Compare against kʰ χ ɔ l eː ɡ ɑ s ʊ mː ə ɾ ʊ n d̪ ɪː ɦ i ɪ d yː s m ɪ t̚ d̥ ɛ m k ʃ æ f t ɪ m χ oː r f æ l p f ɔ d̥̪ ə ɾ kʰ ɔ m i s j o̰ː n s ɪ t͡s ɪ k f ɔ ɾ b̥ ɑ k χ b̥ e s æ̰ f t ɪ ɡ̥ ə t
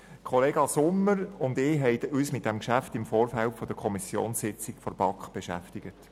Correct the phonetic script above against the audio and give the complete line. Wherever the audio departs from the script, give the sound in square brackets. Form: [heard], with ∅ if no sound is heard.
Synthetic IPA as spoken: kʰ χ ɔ l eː ɡ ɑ s ʊ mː ə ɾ ʊ n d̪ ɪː ɦ [ɛ] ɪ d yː s m ɪ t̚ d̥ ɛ m k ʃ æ f t ɪ m [f] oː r f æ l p f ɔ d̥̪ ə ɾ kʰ ɔ m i s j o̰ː n s ɪ t͡s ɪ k f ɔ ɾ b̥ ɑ k χ b̥ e [ʃ] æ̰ f t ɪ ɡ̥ ə t